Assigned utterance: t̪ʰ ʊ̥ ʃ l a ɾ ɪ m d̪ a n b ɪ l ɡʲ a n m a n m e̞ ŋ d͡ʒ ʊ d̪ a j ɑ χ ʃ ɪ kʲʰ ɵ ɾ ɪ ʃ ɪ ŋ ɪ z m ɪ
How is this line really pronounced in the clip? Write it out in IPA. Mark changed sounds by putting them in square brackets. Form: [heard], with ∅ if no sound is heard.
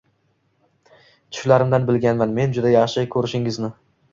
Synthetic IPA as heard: t̪ʰ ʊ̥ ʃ l a ɾ ɪ m d̪ a n b ɪ l ɡʲ a n m a n m e̞ [n] d͡ʒ ʊ d̪ a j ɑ χ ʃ ɪ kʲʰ ɵ ɾ ɪ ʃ ɪ ŋ ɪ z [n] ɪ